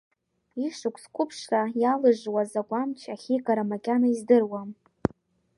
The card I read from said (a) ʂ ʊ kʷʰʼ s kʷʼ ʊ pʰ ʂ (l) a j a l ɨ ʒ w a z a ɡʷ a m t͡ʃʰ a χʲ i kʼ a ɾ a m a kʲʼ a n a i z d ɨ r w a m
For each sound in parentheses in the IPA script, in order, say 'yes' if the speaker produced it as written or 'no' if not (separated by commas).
no, no